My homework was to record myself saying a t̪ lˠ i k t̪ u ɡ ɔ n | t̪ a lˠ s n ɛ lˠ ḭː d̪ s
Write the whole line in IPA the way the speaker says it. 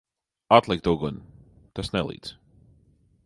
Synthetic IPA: a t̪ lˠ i k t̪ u ɡ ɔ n | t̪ a s n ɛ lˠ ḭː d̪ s